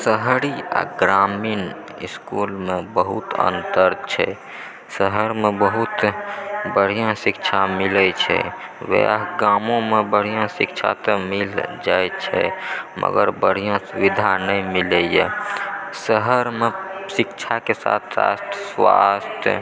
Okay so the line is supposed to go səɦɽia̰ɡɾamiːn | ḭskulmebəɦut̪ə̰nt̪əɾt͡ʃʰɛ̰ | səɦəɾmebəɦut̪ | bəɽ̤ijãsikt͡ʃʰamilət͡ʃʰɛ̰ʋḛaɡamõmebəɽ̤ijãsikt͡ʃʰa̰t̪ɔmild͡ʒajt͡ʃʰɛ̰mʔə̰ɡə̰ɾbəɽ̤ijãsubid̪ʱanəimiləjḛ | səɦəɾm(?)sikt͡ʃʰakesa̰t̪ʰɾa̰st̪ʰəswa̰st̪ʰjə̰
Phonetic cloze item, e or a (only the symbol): e